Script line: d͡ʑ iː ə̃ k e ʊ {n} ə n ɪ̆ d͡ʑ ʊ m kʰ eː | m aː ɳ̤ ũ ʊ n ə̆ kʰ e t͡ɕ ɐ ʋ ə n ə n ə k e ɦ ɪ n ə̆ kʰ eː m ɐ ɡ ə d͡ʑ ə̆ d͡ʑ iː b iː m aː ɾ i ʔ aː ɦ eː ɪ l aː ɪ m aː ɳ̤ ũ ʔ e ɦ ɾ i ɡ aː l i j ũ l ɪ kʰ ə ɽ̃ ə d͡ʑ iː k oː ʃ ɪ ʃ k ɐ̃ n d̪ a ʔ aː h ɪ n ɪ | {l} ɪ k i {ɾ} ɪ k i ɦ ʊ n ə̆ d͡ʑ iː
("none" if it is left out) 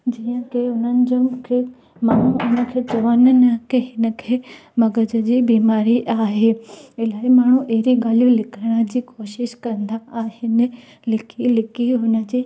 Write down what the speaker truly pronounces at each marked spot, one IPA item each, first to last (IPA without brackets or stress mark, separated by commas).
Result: n, l, l